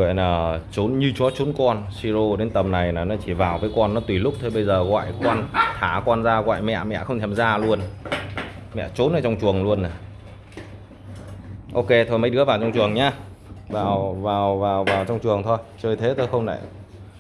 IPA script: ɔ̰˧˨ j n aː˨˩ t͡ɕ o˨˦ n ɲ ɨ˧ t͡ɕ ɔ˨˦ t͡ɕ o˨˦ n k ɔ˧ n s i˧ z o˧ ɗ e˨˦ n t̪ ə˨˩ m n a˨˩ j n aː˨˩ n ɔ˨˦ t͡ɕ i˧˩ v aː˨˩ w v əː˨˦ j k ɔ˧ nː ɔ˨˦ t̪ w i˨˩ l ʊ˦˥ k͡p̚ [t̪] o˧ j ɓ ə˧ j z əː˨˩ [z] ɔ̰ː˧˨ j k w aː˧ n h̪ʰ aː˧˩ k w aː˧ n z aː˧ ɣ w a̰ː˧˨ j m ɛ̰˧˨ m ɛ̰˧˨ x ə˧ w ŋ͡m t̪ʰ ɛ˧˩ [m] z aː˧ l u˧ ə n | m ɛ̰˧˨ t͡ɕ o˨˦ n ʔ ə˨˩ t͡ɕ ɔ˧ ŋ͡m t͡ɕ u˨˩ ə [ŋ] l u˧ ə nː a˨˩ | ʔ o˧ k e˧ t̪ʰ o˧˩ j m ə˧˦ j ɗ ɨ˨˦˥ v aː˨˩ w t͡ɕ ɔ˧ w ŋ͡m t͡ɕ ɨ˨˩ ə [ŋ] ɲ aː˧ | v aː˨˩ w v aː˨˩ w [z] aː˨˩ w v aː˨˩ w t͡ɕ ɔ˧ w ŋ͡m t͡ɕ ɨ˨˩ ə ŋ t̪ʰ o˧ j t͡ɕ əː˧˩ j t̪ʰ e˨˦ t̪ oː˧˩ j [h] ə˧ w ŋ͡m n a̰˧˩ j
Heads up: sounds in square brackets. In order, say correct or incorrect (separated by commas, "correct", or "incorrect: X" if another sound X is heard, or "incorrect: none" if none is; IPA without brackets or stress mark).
incorrect: t̪ʰ, incorrect: ɣ, correct, correct, correct, incorrect: v, incorrect: x